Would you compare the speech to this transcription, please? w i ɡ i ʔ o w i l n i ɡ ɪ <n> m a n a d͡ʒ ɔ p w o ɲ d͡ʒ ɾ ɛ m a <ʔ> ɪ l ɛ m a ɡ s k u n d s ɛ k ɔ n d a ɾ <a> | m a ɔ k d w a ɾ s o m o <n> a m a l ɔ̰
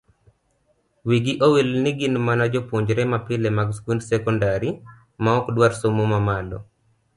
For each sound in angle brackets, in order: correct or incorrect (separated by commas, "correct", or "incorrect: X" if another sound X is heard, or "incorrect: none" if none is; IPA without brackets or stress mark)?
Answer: correct, incorrect: p, incorrect: i, incorrect: m